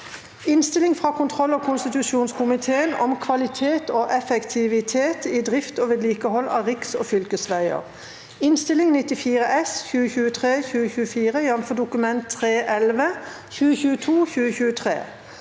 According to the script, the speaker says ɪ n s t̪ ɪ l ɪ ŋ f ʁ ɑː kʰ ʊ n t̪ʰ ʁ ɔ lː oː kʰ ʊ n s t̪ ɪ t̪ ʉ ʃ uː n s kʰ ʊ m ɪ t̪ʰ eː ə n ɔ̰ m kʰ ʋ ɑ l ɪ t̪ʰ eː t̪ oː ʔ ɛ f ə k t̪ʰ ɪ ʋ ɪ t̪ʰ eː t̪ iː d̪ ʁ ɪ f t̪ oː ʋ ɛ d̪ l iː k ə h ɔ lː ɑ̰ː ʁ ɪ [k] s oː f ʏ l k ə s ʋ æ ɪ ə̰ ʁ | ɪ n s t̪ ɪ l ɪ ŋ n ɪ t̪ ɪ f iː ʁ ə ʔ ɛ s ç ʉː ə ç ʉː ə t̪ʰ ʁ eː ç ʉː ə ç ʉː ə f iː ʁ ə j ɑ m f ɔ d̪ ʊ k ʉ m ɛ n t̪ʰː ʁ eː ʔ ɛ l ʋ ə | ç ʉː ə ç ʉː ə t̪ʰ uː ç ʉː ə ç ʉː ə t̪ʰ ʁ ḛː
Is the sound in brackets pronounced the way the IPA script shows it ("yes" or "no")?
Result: yes